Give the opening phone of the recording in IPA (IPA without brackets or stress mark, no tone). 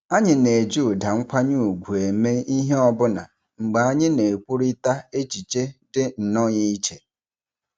a